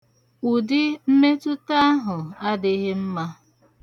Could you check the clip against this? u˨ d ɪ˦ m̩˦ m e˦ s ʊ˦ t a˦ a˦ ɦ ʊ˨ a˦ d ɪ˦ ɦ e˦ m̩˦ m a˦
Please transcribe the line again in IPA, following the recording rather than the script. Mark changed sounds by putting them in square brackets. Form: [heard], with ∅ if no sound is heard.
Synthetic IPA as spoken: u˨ d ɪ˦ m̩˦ m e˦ [t] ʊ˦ t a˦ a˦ ɦ ʊ˨ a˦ d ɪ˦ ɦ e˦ m̩˦ m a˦